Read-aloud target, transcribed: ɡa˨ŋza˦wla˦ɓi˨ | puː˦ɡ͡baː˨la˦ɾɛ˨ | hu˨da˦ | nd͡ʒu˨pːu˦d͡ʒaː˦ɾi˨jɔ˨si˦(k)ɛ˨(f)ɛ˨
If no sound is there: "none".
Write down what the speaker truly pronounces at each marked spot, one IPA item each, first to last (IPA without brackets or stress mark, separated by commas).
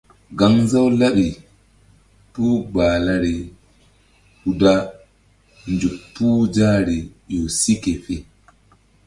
k, f